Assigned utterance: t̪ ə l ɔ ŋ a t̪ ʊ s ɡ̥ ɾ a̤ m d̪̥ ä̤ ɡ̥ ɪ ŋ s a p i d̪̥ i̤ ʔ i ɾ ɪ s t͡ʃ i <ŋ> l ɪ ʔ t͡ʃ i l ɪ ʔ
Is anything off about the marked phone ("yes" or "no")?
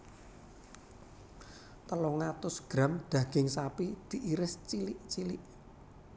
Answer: yes